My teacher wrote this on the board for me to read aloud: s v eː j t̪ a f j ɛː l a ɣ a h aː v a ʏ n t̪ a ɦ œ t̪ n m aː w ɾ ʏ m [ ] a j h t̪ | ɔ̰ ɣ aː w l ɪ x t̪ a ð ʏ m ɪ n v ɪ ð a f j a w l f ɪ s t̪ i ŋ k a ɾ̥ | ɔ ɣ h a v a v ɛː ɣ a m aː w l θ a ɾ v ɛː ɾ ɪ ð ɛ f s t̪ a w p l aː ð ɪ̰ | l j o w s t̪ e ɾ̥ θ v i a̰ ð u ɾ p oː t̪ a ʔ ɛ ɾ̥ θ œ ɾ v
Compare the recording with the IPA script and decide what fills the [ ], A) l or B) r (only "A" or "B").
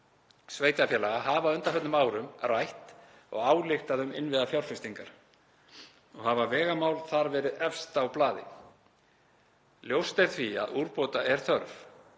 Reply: B